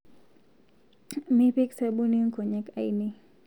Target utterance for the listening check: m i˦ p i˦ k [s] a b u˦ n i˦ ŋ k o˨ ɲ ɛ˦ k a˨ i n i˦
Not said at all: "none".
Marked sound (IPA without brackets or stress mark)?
s